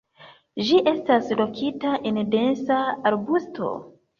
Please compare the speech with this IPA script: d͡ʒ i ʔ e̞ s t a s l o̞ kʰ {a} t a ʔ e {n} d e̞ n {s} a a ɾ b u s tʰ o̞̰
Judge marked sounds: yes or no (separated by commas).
no, yes, yes